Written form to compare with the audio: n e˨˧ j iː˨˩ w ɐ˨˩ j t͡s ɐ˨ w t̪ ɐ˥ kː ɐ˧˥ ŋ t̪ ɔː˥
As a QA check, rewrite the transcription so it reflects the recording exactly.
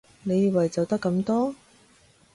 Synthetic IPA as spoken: n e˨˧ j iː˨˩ w ɐ˨˩ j t͡s ɐ˨ w t̪ ɐ˥ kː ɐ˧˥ m t̪ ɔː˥